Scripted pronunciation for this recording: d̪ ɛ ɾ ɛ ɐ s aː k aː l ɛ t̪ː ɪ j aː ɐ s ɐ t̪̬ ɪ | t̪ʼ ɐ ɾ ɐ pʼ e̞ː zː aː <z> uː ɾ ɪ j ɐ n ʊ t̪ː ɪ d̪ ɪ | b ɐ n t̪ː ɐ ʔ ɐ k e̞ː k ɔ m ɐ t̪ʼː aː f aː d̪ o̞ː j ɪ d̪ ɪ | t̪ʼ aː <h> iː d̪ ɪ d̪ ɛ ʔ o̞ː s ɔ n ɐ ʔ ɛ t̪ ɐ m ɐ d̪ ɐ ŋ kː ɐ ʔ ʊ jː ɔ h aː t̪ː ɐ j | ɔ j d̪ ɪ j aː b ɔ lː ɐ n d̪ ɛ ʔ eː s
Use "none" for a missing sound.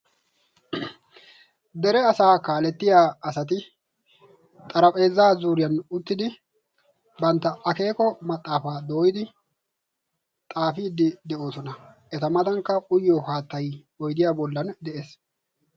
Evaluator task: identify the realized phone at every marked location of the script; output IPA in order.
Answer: z, f

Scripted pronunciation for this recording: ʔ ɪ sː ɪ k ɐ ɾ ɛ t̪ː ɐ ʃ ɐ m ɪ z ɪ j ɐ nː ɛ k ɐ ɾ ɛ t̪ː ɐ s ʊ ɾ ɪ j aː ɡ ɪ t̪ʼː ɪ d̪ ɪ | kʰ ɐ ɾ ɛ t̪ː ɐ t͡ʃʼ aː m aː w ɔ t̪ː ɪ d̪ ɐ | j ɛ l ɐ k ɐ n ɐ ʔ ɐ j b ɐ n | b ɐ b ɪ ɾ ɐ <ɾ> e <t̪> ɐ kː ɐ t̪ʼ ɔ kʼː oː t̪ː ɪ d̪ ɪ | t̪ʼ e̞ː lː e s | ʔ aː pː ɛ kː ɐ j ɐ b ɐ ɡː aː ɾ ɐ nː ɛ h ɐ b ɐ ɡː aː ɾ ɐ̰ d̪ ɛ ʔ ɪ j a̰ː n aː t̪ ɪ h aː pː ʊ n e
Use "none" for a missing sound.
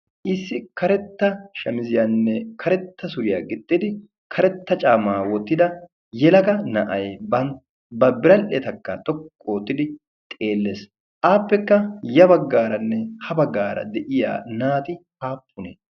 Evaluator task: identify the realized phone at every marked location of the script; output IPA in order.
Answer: l, t̪

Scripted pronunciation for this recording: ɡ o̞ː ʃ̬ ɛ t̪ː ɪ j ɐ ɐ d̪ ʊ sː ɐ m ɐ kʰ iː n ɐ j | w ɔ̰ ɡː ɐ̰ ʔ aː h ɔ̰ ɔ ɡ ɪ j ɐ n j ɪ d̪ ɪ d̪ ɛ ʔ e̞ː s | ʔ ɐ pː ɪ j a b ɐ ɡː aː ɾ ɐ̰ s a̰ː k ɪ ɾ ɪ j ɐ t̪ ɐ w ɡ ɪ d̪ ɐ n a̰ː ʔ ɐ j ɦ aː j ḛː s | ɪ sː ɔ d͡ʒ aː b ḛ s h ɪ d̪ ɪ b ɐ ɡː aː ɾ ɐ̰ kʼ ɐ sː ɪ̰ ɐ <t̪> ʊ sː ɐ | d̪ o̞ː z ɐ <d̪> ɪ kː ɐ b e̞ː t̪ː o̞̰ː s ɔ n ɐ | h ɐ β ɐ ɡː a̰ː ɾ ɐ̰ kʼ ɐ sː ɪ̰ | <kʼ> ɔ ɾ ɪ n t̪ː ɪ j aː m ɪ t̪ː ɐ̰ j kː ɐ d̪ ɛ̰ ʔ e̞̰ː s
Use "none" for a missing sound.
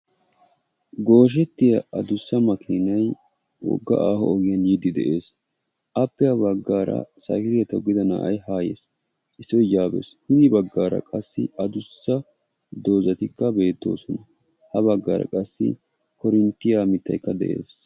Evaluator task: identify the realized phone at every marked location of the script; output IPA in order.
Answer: d̪, t̪, k

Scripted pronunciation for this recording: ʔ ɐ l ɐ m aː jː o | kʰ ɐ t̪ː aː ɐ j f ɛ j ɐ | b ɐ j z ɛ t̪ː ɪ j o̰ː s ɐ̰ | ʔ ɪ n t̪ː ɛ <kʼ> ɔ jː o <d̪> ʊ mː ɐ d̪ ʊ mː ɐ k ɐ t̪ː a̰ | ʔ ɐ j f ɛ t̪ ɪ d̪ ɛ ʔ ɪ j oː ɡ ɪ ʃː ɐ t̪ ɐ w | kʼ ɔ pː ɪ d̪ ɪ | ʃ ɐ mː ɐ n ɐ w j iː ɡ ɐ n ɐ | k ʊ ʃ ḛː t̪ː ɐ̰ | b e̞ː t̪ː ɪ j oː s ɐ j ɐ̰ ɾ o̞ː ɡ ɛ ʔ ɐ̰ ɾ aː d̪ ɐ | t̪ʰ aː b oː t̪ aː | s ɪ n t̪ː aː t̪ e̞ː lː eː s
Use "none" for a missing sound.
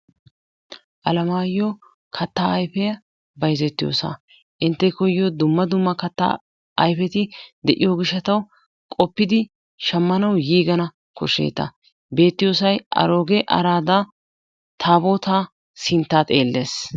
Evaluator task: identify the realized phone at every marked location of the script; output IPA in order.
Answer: k, d̪

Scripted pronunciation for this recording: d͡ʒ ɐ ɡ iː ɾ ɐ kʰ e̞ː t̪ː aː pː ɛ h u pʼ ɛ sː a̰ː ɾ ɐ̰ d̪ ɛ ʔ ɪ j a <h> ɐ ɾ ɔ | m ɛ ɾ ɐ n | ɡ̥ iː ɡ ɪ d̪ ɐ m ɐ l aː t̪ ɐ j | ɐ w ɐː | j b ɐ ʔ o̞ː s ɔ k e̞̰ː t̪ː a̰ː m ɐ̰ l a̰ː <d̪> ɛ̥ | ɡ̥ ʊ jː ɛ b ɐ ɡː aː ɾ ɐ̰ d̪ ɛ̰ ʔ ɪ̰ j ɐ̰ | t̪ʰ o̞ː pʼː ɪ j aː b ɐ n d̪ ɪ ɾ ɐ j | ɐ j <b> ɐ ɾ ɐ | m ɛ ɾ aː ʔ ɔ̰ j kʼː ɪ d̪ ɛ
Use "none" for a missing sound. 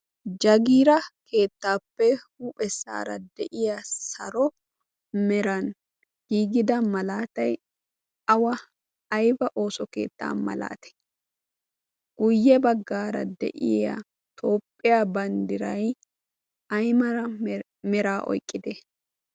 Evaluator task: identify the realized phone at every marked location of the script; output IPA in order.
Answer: s, t̪, m

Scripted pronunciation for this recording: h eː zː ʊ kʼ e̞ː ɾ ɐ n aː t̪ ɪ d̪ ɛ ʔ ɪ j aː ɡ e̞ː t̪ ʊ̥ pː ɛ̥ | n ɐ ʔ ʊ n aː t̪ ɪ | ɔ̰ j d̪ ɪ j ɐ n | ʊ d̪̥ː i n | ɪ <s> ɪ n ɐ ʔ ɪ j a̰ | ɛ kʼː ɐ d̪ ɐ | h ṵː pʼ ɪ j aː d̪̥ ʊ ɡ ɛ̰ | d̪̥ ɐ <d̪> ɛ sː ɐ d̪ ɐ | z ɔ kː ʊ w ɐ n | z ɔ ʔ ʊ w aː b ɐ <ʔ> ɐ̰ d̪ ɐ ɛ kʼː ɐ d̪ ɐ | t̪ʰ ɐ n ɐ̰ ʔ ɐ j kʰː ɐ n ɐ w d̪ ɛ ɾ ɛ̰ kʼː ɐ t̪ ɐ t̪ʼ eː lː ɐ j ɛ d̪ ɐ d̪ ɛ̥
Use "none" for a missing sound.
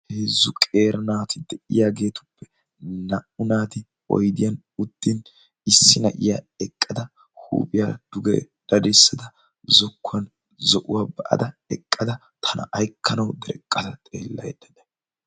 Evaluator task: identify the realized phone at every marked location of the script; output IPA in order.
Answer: sː, d̪, ʔ

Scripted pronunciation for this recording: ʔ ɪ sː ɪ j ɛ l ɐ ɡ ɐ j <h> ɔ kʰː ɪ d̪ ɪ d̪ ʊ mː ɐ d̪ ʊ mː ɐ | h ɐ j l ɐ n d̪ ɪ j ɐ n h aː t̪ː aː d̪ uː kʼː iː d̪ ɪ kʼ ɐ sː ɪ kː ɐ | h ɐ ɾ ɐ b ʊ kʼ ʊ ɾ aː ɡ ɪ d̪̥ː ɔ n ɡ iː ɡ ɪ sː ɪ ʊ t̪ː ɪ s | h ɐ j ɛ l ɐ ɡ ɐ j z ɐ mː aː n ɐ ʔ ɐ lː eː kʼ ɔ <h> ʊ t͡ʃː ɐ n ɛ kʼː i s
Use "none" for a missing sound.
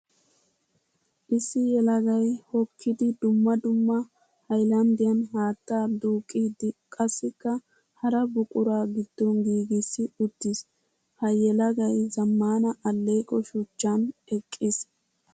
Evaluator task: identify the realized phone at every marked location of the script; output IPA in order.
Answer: h, ʃ

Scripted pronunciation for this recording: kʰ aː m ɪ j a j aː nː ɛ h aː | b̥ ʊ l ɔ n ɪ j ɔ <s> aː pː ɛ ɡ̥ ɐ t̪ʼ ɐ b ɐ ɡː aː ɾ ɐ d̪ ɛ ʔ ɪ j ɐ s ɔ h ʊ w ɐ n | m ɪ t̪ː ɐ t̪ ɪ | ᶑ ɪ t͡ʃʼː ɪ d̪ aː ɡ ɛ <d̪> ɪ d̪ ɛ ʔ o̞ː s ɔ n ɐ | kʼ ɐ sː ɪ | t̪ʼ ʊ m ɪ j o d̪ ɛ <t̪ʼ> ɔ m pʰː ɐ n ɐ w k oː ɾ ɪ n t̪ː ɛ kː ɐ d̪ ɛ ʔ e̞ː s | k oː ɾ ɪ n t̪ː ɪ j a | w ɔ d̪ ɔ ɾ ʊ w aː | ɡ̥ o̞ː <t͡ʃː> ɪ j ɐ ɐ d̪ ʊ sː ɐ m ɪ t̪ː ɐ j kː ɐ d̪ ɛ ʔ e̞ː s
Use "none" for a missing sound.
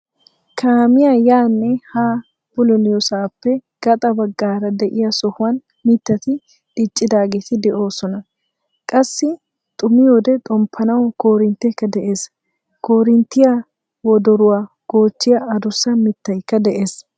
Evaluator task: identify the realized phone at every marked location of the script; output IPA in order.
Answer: s, t̪, t̪ʼ, t͡ʃː

